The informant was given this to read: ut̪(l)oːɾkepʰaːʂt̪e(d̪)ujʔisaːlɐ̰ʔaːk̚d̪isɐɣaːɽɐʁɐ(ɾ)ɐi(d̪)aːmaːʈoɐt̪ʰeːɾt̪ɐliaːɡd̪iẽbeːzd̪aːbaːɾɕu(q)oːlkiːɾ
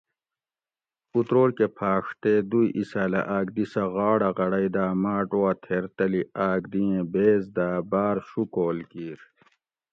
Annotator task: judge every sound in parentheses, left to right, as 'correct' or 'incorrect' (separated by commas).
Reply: incorrect, correct, incorrect, correct, incorrect